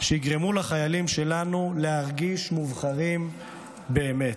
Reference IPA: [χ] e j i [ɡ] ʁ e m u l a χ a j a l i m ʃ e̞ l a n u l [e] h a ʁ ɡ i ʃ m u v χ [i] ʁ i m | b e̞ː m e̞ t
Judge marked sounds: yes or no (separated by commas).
no, yes, yes, no